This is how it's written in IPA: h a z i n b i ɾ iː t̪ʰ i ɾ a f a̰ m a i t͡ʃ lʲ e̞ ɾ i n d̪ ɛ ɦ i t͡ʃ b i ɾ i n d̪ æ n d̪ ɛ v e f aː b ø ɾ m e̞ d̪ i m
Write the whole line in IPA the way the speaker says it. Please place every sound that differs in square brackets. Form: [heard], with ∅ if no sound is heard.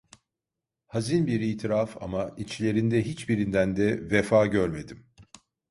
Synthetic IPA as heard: h a z i n b i ɾ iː t̪ʰ i ɾ a f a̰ m a i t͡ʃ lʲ e̞ ɾ i n d̪ ɛ ɦ i t͡ʃ b i ɾ i n d̪ æ n d̪ ɛ v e f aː [ɟ] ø ɾ m e̞ d̪ i m